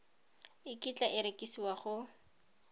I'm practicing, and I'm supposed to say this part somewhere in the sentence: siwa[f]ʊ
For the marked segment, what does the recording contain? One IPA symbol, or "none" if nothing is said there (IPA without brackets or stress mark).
χ